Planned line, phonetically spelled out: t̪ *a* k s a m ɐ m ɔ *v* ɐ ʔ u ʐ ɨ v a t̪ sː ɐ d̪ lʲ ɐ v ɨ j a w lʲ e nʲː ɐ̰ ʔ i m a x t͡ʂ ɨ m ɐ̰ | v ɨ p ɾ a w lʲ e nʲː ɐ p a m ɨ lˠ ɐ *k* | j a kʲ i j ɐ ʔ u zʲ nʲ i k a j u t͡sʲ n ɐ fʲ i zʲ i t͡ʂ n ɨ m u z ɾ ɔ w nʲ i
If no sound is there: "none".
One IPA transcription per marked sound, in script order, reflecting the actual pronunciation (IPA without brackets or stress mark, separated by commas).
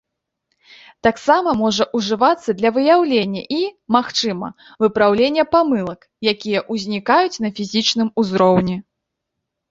a, ʐ, k